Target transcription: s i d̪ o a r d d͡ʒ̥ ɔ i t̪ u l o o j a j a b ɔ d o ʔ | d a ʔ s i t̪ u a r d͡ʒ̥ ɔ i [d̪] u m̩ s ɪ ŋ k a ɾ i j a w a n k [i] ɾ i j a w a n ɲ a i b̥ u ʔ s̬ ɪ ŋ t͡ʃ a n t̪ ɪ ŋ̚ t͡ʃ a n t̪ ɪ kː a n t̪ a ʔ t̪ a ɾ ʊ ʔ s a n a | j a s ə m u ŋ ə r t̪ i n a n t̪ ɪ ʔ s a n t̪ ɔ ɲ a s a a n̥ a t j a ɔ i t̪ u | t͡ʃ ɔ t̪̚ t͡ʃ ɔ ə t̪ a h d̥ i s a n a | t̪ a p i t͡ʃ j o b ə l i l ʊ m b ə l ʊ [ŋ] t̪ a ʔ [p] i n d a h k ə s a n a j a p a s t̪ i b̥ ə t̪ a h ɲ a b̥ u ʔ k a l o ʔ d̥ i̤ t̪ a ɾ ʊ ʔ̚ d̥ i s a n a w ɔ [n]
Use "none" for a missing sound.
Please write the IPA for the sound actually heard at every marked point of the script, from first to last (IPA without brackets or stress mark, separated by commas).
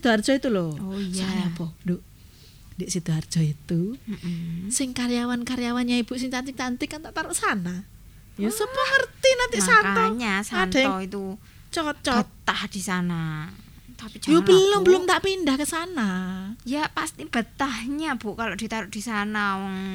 t̪, a, m, p, ŋ